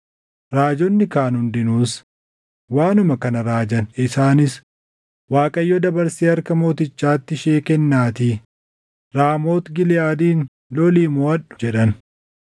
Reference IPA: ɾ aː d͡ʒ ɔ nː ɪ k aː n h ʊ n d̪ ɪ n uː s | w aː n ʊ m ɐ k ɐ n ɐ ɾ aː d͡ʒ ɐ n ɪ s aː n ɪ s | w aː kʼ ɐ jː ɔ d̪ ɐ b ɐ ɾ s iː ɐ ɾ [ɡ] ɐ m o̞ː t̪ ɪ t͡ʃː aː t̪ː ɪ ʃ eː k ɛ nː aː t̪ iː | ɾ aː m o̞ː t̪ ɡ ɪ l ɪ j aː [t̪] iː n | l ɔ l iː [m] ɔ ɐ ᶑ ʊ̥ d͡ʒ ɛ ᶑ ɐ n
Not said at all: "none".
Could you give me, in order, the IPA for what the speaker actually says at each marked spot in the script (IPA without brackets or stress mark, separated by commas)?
k, d̪, m